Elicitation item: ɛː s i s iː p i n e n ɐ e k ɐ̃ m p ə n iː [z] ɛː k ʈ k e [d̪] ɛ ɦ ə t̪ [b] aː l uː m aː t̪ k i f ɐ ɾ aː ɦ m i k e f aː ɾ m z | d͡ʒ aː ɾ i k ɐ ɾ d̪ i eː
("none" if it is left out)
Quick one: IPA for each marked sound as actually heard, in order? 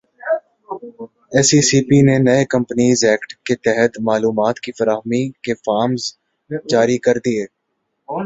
z, t̪, m

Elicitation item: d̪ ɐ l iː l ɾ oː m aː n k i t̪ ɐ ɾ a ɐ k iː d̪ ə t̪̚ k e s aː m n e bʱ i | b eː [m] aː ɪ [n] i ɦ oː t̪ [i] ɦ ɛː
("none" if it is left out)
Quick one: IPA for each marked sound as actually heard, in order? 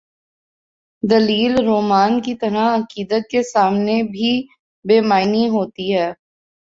m, n, i

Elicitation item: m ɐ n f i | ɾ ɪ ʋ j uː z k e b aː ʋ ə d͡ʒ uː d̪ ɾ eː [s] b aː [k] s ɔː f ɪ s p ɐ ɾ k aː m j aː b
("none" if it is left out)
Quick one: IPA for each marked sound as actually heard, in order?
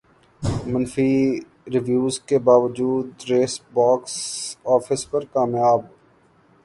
s, k

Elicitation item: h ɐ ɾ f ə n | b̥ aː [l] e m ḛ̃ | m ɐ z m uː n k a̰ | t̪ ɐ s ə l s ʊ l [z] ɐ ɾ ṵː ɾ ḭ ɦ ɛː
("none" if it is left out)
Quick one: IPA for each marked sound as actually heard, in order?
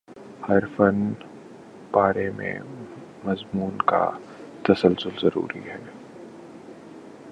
ɾ, z

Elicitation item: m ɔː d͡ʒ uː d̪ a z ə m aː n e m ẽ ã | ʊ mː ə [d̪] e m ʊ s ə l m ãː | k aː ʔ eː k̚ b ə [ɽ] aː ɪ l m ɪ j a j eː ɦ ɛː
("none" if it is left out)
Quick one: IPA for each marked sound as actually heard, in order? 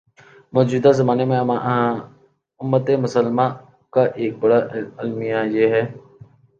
t̪, ɽ

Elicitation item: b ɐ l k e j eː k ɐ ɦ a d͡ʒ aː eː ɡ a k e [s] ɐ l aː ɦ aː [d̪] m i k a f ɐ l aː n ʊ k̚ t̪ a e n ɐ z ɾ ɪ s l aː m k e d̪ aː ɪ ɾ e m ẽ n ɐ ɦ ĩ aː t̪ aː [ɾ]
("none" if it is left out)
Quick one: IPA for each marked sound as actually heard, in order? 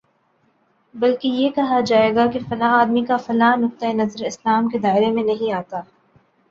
f, d̪, none

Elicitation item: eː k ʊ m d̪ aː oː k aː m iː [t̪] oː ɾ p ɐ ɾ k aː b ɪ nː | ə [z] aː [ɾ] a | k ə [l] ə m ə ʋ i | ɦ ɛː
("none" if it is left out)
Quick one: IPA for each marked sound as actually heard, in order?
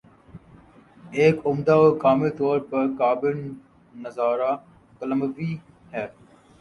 t̪, z, ɾ, l

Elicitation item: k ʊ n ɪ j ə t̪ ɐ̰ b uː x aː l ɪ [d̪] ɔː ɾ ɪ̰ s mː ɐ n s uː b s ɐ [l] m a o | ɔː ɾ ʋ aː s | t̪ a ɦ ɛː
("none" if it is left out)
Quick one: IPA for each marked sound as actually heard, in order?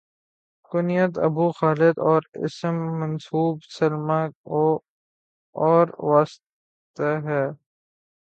d̪, l

